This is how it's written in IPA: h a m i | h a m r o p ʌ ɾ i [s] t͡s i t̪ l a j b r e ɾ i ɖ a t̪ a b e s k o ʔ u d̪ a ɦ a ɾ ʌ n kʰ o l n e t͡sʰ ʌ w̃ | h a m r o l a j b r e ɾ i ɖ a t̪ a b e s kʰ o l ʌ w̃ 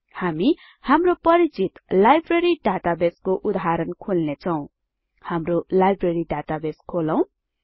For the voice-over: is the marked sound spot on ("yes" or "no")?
no